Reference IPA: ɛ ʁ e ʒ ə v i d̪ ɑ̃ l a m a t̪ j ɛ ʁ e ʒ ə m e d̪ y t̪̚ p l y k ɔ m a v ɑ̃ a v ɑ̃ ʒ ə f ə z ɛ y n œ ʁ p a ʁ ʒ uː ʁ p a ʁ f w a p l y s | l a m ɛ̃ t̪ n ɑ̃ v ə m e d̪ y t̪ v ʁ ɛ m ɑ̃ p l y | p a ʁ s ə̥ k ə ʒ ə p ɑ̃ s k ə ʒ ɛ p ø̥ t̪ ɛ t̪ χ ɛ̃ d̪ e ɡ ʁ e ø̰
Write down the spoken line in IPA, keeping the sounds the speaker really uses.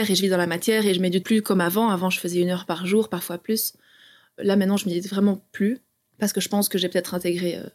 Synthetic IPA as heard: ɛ ʁ e ʒ ə v i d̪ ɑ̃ l a m a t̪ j ɛ ʁ e ʒ ə m e d̪ y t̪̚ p l y k ɔ m a v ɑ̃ a v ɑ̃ ʒ ə f ə z ɛ y n œ ʁ p a ʁ ʒ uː ʁ p a ʁ f w a p l y s | l a m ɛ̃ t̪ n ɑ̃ ʒ ə m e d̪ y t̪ v ʁ ɛ m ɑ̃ p l y | p a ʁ s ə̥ k ə ʒ ə p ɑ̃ s k ə ʒ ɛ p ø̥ t̪ ɛ t̪ χ ɛ̃ t̪ e ɡ ʁ e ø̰